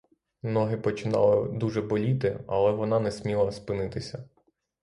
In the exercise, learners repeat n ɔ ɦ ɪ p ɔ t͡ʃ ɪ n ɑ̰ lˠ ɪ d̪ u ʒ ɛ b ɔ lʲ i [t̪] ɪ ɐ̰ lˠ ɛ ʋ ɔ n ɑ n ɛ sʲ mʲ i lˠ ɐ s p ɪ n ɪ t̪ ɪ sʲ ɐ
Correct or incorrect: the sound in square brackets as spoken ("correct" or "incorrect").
correct